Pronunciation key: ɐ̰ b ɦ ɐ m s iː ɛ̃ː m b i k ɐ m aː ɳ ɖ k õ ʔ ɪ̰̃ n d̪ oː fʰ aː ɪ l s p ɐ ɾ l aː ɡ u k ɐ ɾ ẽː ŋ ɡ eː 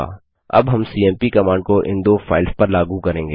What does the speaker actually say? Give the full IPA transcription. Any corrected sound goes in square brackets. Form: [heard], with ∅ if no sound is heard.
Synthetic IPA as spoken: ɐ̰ b ɦ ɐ m s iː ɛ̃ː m [p] i k ɐ m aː ɳ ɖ k [o] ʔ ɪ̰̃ n d̪ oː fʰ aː ɪ l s p ɐ ɾ l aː ɡ u k ɐ ɾ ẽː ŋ ɡ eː